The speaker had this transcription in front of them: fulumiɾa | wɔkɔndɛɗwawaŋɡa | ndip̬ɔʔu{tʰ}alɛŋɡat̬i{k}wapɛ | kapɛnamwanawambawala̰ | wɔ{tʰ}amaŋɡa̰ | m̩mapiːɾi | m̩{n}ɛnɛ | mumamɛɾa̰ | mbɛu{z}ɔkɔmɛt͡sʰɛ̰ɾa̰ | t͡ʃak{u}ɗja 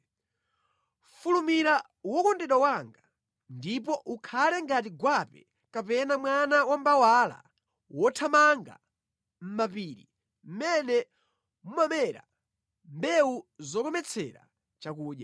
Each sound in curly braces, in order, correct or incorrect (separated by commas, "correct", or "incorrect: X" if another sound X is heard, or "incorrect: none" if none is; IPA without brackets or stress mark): incorrect: kʰ, incorrect: ɡ, correct, incorrect: m, correct, incorrect: uː